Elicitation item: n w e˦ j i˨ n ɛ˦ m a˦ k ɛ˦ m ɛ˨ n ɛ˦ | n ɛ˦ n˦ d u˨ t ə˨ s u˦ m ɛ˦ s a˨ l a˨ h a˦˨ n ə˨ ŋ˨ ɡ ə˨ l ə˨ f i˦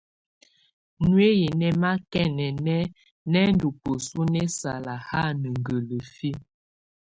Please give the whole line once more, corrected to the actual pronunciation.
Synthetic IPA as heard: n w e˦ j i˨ n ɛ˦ m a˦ k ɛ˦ n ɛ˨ n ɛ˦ | n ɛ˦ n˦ d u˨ p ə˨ s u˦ n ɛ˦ s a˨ l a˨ h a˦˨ n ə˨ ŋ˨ ɡ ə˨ l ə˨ f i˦